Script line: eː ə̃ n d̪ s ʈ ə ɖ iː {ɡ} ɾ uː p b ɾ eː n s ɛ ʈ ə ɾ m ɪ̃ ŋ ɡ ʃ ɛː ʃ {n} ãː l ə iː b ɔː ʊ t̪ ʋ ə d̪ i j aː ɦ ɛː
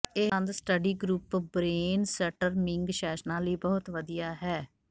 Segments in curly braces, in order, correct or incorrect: correct, correct

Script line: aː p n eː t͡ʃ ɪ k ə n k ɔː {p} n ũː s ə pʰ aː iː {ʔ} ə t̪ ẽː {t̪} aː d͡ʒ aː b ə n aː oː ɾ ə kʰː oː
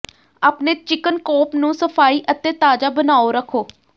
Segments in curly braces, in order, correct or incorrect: correct, correct, correct

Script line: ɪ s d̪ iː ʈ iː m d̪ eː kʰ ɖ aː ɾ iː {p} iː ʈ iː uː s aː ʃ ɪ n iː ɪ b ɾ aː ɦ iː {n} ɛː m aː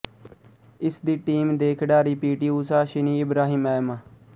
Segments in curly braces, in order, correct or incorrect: correct, incorrect: m

